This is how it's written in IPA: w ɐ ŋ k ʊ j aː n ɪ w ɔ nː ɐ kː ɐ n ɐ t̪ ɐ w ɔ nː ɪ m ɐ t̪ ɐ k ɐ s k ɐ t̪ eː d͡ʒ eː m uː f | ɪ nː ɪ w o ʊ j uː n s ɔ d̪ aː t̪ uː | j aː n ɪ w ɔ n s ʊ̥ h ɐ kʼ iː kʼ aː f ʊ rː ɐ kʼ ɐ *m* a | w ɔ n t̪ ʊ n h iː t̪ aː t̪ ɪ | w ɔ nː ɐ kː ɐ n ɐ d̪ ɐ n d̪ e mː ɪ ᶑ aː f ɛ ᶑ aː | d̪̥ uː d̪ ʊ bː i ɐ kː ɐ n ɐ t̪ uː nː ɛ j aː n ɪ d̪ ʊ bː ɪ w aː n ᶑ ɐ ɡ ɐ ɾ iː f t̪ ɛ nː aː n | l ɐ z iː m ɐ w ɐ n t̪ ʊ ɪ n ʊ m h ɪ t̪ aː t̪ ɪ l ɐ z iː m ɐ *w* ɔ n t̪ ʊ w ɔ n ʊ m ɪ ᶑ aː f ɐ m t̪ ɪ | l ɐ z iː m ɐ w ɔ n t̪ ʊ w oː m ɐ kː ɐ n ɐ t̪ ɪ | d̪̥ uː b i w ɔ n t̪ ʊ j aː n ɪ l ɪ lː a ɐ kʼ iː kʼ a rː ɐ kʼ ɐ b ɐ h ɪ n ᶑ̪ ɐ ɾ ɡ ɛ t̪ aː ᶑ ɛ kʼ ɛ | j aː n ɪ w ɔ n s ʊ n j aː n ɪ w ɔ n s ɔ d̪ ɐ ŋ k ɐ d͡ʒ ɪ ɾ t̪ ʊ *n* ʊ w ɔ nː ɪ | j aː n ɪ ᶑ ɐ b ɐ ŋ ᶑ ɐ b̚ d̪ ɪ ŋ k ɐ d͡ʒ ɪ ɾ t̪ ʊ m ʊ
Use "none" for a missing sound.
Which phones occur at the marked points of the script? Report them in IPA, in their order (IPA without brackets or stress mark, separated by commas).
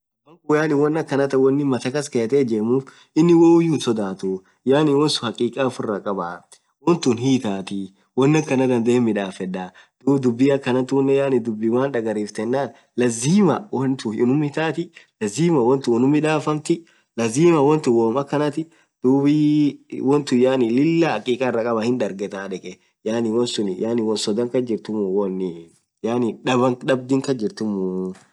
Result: b, w, m